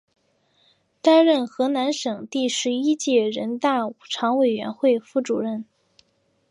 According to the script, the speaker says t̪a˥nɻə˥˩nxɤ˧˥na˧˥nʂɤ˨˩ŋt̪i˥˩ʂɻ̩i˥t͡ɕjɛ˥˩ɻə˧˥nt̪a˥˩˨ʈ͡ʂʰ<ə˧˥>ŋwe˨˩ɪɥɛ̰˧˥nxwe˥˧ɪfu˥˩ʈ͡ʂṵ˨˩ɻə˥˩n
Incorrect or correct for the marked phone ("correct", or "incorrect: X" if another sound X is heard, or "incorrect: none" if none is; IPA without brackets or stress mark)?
incorrect: ɑ˧˥